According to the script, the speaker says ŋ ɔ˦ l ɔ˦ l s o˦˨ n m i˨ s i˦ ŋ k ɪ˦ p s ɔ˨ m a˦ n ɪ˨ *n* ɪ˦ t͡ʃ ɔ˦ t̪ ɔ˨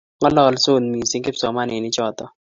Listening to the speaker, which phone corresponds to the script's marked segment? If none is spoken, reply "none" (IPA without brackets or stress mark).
n